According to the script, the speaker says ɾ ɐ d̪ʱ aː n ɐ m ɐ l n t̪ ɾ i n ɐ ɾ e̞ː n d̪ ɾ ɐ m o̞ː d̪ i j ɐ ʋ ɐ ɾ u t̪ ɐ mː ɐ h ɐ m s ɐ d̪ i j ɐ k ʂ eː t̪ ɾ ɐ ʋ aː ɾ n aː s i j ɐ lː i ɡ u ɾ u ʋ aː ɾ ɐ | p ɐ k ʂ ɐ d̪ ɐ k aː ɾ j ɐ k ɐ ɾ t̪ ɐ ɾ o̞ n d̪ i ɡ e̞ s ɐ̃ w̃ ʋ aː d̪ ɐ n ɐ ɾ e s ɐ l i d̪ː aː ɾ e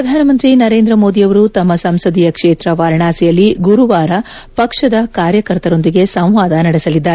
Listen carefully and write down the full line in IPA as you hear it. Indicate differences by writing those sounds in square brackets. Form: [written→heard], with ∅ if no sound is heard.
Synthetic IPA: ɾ ɐ d̪ʱ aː n ɐ m ɐ [l→∅] n t̪ ɾ i n ɐ ɾ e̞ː n d̪ ɾ ɐ m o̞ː d̪ i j ɐ ʋ ɐ ɾ u t̪ ɐ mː ɐ [h→s] ɐ m s ɐ d̪ i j ɐ k ʂ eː t̪ ɾ ɐ ʋ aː ɾ [n→ɳ] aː s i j ɐ lː i ɡ u ɾ u ʋ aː ɾ ɐ | p ɐ k ʂ ɐ d̪ ɐ k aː ɾ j ɐ k ɐ ɾ t̪ ɐ ɾ o̞ n d̪ i ɡ e̞ s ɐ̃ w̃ ʋ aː d̪ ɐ n ɐ [ɾ→ɽ] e s ɐ l i d̪ː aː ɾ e